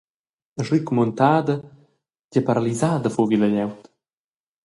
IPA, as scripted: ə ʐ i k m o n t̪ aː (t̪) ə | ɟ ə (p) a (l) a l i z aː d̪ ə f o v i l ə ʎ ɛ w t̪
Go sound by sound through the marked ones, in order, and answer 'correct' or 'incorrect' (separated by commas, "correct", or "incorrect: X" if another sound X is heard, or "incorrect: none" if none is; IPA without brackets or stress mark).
incorrect: d̪, correct, incorrect: ɾ